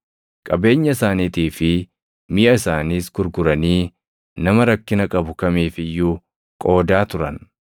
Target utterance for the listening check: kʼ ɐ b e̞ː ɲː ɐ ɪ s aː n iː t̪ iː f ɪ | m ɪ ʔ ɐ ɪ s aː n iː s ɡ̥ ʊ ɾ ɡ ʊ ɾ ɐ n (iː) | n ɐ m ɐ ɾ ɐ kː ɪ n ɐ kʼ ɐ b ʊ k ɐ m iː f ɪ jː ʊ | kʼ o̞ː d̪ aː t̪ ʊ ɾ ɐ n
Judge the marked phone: correct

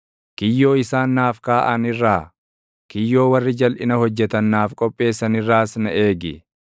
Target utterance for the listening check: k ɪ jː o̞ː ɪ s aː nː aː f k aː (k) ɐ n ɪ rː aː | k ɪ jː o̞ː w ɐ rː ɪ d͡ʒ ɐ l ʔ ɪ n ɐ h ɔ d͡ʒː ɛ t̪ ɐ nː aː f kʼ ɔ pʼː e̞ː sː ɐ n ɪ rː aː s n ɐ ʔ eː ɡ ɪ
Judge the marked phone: incorrect: ʔ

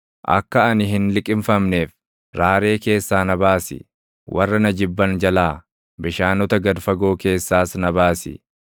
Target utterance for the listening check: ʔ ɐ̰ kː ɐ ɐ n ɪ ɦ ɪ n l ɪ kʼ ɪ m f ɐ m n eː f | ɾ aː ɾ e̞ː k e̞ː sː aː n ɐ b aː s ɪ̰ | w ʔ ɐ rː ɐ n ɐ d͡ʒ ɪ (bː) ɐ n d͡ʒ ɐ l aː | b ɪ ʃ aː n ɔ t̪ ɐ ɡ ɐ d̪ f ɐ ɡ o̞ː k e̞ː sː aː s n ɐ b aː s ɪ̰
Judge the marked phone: correct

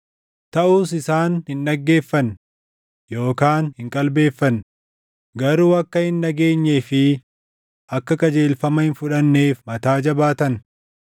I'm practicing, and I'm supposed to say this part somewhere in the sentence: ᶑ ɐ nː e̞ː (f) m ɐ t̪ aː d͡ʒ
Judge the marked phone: correct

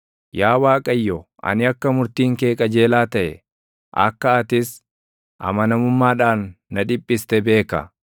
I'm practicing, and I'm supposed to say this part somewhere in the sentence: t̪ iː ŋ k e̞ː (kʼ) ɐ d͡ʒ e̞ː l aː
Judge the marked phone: correct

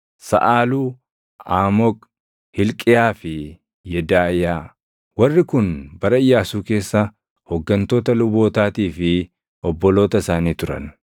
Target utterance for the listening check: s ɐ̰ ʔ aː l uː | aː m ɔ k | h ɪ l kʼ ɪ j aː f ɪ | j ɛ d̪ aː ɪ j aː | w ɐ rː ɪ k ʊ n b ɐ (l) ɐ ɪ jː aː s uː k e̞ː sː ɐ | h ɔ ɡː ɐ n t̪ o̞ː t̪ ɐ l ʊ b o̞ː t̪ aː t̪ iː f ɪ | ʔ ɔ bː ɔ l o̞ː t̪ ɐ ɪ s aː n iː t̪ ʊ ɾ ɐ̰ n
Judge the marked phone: incorrect: ɾ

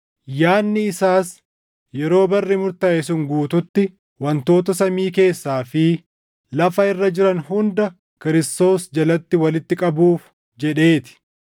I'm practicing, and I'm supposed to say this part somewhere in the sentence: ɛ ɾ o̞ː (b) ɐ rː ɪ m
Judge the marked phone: correct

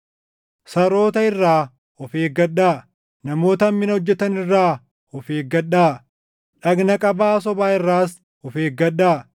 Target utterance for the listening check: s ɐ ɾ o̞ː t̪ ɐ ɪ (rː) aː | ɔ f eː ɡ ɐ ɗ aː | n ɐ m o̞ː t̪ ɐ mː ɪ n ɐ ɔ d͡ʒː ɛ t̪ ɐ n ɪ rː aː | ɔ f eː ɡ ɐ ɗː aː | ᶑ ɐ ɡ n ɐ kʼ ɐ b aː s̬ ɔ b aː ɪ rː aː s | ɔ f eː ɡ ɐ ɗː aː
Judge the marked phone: correct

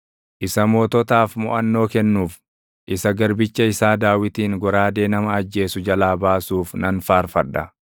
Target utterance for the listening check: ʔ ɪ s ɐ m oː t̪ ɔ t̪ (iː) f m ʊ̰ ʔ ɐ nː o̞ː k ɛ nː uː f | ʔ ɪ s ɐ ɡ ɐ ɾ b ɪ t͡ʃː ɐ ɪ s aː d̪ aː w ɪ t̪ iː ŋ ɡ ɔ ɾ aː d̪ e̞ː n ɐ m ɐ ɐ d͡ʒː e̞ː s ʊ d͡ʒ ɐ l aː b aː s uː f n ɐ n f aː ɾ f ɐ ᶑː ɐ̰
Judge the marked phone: incorrect: aː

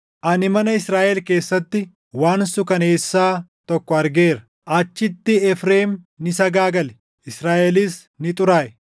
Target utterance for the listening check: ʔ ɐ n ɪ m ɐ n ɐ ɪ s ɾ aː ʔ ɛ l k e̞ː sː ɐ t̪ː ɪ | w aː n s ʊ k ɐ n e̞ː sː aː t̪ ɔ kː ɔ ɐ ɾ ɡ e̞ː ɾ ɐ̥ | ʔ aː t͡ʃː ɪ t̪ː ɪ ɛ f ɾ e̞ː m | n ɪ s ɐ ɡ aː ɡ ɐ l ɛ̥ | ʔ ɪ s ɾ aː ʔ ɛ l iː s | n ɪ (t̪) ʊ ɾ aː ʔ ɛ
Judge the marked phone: incorrect: t̪ʼ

